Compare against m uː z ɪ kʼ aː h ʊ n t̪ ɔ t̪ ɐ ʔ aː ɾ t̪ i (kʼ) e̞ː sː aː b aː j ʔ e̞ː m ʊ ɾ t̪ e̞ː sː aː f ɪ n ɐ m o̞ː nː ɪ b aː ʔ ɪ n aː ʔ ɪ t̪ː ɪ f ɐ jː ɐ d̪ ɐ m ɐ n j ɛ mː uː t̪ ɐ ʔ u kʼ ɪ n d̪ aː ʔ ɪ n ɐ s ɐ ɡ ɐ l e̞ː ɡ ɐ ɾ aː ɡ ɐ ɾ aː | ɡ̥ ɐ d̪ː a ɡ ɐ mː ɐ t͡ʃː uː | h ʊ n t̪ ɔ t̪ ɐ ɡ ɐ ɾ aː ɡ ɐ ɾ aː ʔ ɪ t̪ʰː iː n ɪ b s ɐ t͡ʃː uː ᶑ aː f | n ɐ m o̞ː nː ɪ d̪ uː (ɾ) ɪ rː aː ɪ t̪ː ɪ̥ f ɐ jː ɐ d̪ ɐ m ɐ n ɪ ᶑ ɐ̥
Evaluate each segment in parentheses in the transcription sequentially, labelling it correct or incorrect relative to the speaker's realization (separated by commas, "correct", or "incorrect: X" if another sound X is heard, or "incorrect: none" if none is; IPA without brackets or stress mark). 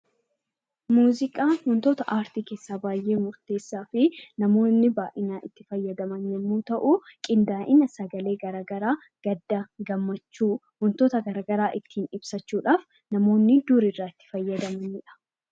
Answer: incorrect: k, correct